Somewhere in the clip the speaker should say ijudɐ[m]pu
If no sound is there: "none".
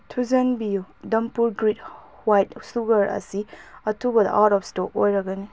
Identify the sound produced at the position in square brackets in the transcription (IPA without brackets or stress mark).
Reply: m